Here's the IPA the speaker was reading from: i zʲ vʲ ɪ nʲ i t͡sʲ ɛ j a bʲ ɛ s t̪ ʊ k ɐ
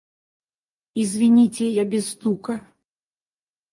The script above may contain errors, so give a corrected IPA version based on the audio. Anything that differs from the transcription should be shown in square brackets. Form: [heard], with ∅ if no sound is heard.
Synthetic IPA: i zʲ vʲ [i] nʲ i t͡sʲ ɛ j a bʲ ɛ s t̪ [u] k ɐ